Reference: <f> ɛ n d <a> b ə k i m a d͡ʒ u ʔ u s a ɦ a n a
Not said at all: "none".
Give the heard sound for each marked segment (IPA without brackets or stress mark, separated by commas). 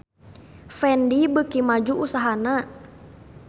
f, i